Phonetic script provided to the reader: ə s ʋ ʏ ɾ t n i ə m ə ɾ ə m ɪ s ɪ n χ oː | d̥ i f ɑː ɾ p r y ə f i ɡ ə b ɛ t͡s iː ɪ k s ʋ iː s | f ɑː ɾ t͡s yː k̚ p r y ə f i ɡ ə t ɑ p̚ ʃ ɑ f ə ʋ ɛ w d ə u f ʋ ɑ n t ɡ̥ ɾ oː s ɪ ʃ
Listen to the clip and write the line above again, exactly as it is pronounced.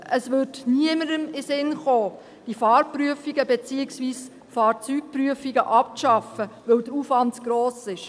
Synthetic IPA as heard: ə s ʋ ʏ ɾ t n i ə m ə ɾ ə m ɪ s ɪ n χ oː | d̥ i f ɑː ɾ p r y ə f i ɡ ə b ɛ t͡s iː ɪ k s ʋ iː s | f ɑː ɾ t͡s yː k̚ p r y ə f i ɡ ə ʔ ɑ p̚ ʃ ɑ f ə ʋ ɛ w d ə u f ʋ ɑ n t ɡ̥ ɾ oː s ɪ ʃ